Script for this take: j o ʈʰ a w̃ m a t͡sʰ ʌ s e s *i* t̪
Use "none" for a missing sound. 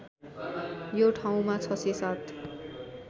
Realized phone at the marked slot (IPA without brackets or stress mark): a